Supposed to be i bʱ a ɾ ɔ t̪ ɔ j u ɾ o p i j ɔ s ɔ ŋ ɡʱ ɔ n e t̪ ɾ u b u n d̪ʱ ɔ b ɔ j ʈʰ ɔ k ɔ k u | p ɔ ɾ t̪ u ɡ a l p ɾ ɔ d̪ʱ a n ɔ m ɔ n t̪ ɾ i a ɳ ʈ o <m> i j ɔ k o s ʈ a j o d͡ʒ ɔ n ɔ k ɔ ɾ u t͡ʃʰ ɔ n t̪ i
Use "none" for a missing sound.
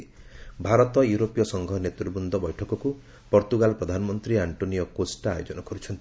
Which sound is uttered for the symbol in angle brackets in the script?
n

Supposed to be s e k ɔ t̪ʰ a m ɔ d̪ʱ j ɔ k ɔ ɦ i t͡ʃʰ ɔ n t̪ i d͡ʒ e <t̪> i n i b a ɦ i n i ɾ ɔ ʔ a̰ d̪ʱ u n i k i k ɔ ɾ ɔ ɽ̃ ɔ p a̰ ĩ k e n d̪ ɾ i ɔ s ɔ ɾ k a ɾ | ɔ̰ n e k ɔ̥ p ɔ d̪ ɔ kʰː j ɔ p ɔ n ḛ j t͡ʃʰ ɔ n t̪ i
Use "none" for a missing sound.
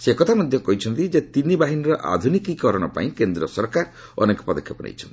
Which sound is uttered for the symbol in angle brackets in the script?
t̪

